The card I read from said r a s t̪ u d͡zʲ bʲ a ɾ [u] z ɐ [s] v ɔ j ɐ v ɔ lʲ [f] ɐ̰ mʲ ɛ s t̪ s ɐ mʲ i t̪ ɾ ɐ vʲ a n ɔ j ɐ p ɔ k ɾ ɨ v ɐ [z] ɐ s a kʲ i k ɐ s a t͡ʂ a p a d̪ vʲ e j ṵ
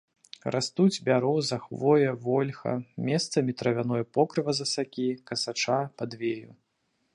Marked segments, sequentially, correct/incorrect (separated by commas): incorrect, incorrect, incorrect, correct